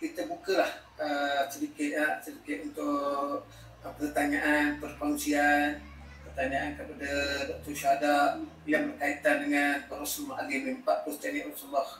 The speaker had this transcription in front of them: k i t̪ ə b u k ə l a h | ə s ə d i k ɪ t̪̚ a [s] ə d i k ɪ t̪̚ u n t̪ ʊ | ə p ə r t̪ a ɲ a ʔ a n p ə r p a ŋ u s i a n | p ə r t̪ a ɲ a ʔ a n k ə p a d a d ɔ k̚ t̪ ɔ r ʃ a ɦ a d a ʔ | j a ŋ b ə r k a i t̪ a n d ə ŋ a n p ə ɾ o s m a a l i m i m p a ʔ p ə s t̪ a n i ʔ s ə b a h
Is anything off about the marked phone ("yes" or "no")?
no